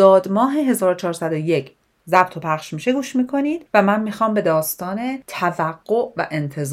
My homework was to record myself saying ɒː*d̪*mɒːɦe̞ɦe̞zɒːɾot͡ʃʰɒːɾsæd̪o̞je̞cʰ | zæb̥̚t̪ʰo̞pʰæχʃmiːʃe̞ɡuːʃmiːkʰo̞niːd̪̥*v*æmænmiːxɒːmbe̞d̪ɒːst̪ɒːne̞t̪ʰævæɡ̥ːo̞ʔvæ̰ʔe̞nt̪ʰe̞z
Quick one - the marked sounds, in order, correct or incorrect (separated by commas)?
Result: correct, correct